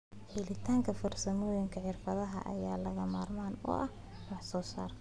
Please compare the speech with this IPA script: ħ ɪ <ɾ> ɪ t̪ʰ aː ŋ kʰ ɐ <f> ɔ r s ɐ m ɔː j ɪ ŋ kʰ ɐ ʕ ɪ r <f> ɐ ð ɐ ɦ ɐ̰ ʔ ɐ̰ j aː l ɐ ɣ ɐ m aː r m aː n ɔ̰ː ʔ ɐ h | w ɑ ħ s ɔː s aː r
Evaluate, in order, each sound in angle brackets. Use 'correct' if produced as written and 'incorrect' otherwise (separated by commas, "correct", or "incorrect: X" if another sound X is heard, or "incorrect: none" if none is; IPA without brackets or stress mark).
incorrect: l, correct, correct